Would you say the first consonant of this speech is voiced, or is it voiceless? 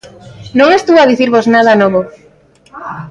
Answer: voiced